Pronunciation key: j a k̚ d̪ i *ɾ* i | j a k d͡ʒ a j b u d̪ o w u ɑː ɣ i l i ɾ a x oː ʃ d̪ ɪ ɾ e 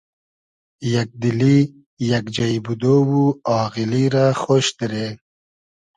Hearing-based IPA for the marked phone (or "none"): l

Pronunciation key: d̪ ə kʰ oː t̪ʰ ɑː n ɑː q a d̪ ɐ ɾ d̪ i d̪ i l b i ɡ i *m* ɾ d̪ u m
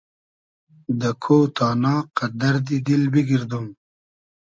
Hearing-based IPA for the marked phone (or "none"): none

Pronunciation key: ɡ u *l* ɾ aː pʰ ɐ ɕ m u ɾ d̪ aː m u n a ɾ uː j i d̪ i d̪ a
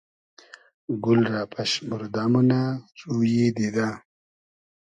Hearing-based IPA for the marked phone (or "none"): l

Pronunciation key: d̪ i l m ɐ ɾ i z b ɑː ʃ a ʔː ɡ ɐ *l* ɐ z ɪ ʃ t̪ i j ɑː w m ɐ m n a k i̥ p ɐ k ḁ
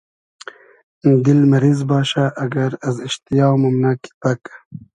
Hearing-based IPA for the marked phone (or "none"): ɾ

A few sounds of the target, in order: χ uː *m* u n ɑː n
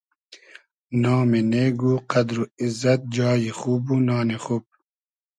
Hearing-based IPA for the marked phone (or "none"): b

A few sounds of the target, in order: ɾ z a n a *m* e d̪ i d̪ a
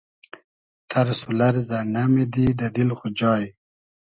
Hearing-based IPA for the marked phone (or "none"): m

